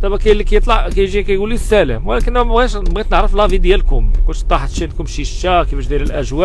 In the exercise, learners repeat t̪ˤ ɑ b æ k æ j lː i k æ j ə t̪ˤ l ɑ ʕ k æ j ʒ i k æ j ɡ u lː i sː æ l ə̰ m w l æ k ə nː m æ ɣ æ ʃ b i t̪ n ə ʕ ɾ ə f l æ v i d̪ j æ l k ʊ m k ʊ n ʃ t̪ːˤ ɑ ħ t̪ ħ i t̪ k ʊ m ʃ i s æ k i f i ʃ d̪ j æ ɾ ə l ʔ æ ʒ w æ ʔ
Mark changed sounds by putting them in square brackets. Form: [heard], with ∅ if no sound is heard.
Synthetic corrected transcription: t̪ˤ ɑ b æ k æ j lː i k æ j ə t̪ˤ l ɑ ʕ k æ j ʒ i k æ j ɡ u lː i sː æ l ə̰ m w l æ k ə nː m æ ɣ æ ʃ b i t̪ n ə ʕ ɾ ə f l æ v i d̪ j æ l k ʊ m k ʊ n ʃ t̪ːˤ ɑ ħ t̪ [ʃ] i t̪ k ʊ m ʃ i [ʃ] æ k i f [æ] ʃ d̪ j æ ɾ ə l ʔ æ ʒ w æ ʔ